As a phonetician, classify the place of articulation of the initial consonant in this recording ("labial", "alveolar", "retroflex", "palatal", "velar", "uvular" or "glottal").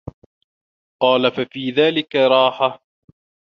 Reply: uvular